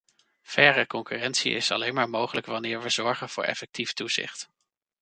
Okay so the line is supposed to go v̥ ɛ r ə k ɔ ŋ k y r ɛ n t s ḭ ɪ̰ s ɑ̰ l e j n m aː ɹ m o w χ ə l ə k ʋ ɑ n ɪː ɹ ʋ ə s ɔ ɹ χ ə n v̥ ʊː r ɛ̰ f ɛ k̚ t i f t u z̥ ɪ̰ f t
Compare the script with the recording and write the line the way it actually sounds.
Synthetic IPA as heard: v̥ ɛ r ə k ɔ ŋ k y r ɛ n t s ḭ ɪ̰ s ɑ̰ l e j n m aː ɹ m o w χ ə l ə k ʋ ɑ n ɪː ɹ ʋ ə z ɔ ɹ χ ə n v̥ ʊː ɹ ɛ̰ f ɛ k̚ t i f t u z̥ ɪ̰ χ t

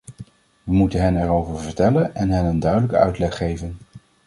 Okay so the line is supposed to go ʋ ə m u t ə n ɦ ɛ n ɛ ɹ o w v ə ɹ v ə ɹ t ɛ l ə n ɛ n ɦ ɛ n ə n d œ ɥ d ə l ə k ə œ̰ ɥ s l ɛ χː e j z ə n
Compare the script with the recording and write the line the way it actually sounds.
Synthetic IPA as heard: ʋ ə m u t ə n ɦ ɛ n ɛ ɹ o w v ə ɹ v ə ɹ t ɛ l ə n ɛ n ɦ ɛ n ə n d œ ɥ d ə l ə k ə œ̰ ɥ t l ɛ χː e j v ə n

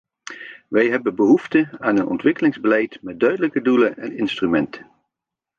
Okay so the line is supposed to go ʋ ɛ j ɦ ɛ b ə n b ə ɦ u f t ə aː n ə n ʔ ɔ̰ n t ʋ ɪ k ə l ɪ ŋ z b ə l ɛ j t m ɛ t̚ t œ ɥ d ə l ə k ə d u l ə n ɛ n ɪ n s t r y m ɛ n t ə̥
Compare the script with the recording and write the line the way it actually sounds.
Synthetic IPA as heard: ʋ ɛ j ɦ ɛ b ə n b ə ɦ u f t ə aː n ə n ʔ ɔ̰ n t ʋ ɪ k ə l ɪ ŋ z b ə l ɛ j t m ɛ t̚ d œ ɥ d ə l ə k ə d u l ə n ɛ n ɪ n s t r y m ɛ n t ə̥

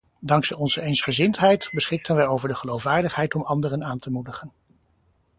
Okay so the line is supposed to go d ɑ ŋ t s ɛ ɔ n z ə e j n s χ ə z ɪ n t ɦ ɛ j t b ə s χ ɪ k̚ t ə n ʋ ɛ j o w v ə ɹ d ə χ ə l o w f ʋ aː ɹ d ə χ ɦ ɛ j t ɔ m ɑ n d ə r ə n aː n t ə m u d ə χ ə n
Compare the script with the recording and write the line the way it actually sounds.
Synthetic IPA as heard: d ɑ ŋ k s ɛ ɔ n z ə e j n s χ ə z ɪ n t ɦ ɛ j t b ə s χ ɪ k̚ t ə n ʋ ɛ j o w v ə ɹ d ə χ ə l o w f ʋ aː ɹ d ə χ ɦ ɛ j t ɔ m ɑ n d ə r ə n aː n t ə m u d ə χ ə n

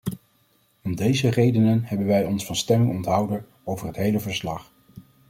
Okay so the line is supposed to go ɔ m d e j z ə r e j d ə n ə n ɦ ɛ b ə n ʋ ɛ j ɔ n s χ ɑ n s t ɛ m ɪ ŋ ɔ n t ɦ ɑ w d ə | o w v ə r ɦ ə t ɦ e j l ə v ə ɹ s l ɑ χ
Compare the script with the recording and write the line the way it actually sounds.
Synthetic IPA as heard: ɔ m d e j z ə r e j d ə n ə n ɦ ɛ b ə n ʋ ɛ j ɔ n s f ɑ n s t ɛ m ɪ ŋ ɔ n t ɦ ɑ w d ə | o w v ə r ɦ ə t ɦ e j l ə v ə ɹ s l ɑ χ

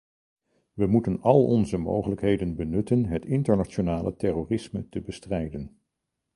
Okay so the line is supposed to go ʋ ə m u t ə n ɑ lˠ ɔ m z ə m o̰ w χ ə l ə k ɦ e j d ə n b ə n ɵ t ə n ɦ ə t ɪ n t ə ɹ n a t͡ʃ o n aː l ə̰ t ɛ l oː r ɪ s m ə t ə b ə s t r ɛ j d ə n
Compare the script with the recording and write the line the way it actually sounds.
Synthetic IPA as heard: ʋ ə m u t ə n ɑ lˠ ɔ n z ə m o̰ w χ ə l ə k ɦ e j d ə n b ə n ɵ t ə n ɦ ə t ɪ n t ə ɹ n a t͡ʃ o n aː l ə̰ t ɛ r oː r ɪ s m ə t ə b ə s t r ɛ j d ə n

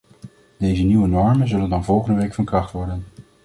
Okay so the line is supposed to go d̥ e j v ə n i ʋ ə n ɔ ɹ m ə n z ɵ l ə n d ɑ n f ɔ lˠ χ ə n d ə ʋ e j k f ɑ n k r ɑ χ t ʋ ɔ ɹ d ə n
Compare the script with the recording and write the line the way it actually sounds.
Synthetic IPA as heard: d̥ e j z ə n i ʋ ə n ɔ ɹ m ə n z ɵ l ə n d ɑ n v ɔ lˠ χ ə n d ə ʋ e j k f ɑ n k r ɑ χ t ʋ ɔ ɹ d ə n

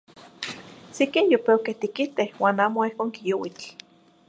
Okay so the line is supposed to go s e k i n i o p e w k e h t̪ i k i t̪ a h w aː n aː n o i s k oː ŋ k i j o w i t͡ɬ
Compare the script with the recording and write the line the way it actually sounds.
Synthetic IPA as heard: s e k i n j o p e w k e h t̪ i k i t̪ e h w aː n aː m o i h k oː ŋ k i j o w i t͡ɬ

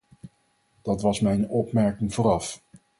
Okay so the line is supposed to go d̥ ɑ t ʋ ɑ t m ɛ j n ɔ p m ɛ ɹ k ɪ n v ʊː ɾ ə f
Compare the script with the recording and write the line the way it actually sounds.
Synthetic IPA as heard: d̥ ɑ t ʋ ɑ s m ɛ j n ɔ p m ɛ ɹ k ɪ ŋ v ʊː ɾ ɑ f

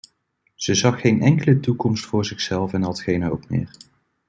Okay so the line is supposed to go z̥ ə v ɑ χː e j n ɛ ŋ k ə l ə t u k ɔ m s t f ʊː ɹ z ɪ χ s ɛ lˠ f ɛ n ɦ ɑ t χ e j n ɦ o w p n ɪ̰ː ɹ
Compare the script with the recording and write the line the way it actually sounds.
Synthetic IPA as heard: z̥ ə z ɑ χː e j n ɛ ŋ k ə l ə t u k ɔ m s t f ʊː ɹ z ɪ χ s ɛ lˠ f ɛ n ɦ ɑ t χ e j n ɦ o w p m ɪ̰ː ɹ

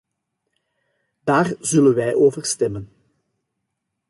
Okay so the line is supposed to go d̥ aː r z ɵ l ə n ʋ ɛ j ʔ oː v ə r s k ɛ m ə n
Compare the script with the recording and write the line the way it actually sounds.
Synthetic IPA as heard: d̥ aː r z ɵ l ə n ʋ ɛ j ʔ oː v ə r s t ɛ m ə n

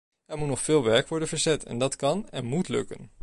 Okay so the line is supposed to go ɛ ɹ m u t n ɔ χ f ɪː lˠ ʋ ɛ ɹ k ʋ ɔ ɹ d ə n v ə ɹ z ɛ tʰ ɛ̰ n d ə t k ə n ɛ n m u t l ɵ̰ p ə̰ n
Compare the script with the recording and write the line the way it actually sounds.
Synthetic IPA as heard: ɛ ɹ m u t n ɔ χ f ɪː lˠ ʋ ɛ ɹ k ʋ ɔ ɹ d ə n v ə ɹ z ɛ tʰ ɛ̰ n d ɑ t k ɑ n ɛ n m u t l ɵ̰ k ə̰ n

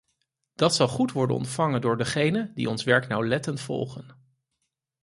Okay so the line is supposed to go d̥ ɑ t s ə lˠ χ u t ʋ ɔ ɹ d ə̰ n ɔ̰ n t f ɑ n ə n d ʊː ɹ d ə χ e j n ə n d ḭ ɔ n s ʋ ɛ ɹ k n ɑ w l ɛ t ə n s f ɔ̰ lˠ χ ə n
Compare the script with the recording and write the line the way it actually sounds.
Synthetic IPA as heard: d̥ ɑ t s ɑ lˠ χ u t ʋ ɔ ɹ d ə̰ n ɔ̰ n t f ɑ ŋ ə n d ʊː ɹ d ə χ e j n ə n d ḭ ɔ n s ʋ ɛ ɹ k n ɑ w l ɛ t ə n t f ɔ̰ lˠ χ ə n

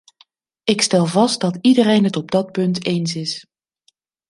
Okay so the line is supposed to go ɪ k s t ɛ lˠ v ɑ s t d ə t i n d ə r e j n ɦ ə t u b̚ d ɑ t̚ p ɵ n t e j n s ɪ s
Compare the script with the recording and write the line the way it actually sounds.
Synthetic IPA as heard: ɪ k s t ɛ lˠ v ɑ s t d ɑ t i d ə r e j n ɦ ə t ɔ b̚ d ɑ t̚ p ɵ n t e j n s ɪ s

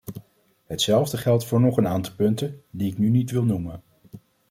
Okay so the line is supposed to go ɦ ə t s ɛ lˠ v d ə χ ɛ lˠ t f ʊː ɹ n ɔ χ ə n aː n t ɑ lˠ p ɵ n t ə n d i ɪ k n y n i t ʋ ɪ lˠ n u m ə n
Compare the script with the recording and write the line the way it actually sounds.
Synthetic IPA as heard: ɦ ə t s ɛ lˠ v d ə χ ɛ lˠ t f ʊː ɹ n ɔ χ ə n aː n t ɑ lˠ p ɵ n t ə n d i ɪ k n y n i t ʋ ɪ lˠ n u m ə n

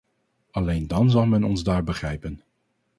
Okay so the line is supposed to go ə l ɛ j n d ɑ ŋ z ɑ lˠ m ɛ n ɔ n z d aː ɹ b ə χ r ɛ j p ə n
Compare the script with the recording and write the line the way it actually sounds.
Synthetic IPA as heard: ɑ l e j n d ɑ n z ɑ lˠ m ɛ n ɔ n z d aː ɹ b ə χ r ɛ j p ə n

